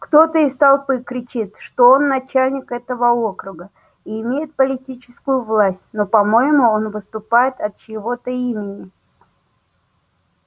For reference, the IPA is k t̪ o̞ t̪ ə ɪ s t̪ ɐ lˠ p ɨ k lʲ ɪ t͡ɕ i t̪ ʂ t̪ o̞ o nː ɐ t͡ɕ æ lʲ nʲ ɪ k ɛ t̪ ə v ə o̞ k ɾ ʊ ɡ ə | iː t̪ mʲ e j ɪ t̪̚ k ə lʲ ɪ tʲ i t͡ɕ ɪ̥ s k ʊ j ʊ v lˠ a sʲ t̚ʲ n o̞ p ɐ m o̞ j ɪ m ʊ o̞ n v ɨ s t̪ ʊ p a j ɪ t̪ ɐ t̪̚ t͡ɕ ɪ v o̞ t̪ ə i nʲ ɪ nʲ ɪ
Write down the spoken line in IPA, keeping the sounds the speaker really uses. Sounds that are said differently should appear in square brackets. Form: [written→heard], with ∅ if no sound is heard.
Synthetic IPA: k t̪ o̞ t̪ ə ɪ s t̪ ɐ lˠ p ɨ k [lʲ→ɾʲ] ɪ t͡ɕ i t̪ ʂ t̪ o̞ o nː ɐ t͡ɕ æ lʲ nʲ ɪ k ɛ t̪ ə v ə o̞ k ɾ ʊ ɡ ə | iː [t̪→∅] mʲ e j ɪ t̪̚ [k→p] ə lʲ ɪ tʲ i t͡ɕ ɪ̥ s k ʊ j ʊ v lˠ a sʲ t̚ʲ n o̞ p ɐ m o̞ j ɪ m ʊ o̞ n v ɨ s t̪ ʊ p a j ɪ t̪ ɐ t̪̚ t͡ɕ ɪ v o̞ t̪ ə i [nʲ→mʲ] ɪ nʲ ɪ